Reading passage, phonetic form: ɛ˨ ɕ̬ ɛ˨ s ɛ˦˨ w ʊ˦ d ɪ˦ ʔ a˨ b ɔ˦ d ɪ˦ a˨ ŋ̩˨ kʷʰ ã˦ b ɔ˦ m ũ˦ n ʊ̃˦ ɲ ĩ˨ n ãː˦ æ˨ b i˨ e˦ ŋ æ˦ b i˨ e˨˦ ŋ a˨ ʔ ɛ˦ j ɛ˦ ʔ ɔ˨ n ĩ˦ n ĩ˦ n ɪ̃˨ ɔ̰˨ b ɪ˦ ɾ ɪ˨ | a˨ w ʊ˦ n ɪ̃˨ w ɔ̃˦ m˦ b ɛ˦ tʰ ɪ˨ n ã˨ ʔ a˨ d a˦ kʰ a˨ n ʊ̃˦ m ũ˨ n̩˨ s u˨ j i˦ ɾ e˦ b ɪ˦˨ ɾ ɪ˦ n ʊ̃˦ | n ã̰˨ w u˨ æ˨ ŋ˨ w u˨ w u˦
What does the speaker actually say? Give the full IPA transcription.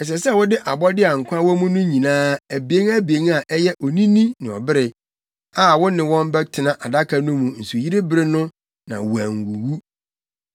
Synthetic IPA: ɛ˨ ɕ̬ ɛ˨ s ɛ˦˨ w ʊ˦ d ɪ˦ ʔ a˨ b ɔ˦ d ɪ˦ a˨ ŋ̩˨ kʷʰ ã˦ w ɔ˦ m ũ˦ n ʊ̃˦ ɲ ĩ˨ n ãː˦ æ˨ b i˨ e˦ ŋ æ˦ b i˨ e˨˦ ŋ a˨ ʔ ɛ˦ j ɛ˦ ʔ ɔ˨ n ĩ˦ n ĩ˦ n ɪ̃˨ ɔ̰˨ b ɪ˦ ɾ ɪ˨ | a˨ w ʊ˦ n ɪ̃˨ w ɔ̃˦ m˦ b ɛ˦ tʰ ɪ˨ n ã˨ ʔ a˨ d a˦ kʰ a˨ n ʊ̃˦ m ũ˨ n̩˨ s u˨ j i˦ ɾ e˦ b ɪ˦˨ ɾ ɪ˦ n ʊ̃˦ | n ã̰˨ w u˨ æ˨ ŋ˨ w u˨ w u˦